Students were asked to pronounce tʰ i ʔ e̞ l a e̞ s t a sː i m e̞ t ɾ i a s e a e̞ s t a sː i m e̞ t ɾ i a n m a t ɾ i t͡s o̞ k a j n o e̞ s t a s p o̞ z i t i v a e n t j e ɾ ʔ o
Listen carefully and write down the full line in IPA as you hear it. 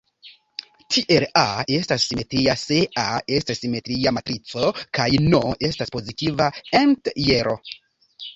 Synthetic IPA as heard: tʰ i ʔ e̞ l a e̞ s t a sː i m e̞ t ɾ i a s e a e̞ s t a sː i m e̞ t ɾ i a m a t ɾ i t͡s o̞ k a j n o e̞ s t a s p o̞ z i t i v a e n t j e ɾ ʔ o